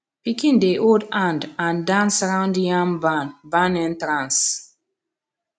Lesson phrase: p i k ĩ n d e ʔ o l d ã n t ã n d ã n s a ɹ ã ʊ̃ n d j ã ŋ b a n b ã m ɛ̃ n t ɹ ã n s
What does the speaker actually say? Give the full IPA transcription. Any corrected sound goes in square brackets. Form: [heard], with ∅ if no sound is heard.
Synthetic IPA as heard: p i k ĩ n d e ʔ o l d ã n [d] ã n d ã n s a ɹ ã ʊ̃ n d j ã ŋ b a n b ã [n] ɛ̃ n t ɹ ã n s